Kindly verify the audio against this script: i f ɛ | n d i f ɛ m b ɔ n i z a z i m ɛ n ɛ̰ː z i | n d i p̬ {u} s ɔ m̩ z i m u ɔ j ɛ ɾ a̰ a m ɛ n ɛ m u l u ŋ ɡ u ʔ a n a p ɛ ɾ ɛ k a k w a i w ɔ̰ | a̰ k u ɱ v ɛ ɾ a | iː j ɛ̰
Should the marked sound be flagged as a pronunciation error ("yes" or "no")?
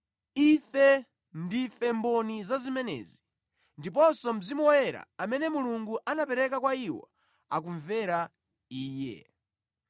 yes